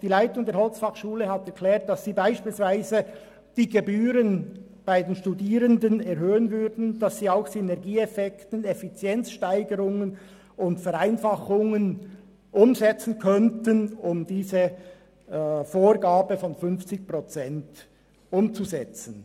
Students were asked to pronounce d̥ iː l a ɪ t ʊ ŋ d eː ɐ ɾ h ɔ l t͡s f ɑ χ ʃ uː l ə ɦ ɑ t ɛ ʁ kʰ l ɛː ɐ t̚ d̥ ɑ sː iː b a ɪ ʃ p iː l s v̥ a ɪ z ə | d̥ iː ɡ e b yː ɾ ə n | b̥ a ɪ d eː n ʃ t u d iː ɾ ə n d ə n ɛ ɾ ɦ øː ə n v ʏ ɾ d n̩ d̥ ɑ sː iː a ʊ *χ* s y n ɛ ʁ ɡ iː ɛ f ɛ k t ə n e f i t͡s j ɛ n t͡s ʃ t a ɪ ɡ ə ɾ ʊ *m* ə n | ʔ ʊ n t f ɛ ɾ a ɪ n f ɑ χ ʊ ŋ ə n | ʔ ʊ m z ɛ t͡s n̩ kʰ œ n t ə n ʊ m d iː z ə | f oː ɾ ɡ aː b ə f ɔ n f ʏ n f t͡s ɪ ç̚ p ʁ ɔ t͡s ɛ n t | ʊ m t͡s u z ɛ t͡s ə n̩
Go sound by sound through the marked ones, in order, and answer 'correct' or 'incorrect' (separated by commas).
incorrect, incorrect